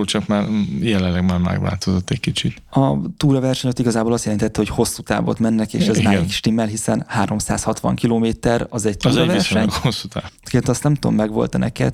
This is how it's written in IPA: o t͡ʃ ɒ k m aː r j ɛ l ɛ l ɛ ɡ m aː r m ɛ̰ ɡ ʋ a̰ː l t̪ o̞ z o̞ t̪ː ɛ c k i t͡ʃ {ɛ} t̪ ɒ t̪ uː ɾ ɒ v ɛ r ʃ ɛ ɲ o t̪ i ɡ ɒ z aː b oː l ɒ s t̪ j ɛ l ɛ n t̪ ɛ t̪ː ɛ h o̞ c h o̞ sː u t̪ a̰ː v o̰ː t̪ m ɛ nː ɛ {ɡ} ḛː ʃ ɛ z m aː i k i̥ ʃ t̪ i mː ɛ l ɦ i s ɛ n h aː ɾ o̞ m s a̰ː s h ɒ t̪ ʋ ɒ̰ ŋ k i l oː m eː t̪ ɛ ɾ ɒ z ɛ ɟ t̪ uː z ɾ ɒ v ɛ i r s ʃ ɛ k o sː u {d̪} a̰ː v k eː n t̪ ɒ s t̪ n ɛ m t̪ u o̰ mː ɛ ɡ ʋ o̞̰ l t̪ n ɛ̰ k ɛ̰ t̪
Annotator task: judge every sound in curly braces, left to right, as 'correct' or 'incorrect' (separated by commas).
incorrect, incorrect, incorrect